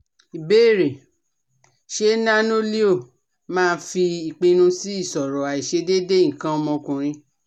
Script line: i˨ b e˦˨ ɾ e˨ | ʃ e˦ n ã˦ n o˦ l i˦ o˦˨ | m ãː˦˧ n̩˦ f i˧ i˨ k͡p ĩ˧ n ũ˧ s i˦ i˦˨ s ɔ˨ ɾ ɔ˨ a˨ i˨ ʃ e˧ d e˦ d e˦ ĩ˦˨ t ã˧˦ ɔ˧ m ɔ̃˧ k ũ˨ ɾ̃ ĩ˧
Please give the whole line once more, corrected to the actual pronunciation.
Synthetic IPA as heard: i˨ b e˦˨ ɾ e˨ | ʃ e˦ n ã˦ n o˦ l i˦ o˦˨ | m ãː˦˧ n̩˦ f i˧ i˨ k͡p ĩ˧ n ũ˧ s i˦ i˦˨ s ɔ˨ ɾ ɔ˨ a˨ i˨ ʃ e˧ d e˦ d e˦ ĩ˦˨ k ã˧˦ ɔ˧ m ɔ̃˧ k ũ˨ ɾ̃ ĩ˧